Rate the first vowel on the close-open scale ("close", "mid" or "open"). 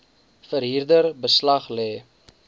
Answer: mid